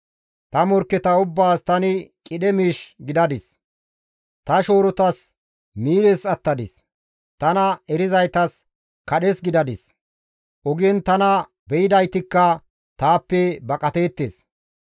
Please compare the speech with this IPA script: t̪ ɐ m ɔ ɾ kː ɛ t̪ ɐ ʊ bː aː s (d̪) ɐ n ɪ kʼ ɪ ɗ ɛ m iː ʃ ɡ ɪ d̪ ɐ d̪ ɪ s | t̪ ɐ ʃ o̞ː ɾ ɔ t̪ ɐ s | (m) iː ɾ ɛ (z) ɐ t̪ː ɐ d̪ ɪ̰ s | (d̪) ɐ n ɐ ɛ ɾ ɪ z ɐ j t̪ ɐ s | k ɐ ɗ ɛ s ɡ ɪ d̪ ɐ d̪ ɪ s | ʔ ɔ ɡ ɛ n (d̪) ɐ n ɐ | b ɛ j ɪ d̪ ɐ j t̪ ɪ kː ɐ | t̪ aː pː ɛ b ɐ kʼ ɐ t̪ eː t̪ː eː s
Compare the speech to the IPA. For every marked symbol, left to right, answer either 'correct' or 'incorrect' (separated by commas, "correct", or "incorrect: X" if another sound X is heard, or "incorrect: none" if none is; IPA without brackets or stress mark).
incorrect: t̪, correct, incorrect: s, incorrect: t̪, incorrect: t̪